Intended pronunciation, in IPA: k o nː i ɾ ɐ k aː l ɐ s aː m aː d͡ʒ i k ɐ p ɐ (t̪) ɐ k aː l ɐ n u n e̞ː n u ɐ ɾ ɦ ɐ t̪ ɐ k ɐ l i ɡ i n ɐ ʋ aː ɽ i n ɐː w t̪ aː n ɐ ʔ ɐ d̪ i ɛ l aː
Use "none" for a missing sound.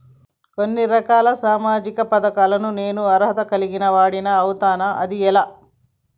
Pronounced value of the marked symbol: d̪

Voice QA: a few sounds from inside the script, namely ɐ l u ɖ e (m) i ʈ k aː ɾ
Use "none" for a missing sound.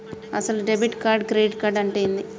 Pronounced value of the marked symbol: b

